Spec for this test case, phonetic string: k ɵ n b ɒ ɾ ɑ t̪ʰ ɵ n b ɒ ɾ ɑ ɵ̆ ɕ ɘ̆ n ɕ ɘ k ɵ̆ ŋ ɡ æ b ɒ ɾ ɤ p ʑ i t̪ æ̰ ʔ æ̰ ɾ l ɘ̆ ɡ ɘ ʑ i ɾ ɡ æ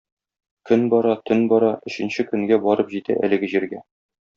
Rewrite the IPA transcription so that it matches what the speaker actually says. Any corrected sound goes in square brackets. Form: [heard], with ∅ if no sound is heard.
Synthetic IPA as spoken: k ɵ n b ɒ ɾ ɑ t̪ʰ ɵ n b ɒ ɾ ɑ ɵ̆ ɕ ɘ̆ n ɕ ɘ k ɵ̆ ŋ ɡ æ b ɒ ɾ ɤ p ʑ i t̪ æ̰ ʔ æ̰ [∅] l ɘ̆ ɡ ɘ ʑ i ɾ ɡ æ